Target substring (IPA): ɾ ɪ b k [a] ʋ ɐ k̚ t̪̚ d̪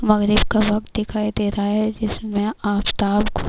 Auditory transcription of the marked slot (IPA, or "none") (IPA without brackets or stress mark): a